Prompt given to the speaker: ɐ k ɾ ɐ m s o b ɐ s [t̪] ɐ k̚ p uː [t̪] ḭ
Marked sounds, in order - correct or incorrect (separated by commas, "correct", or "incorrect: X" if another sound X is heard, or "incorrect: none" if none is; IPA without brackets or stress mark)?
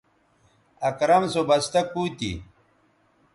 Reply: correct, correct